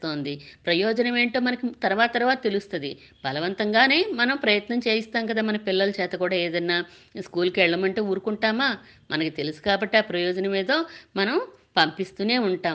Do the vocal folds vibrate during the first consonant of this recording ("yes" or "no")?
no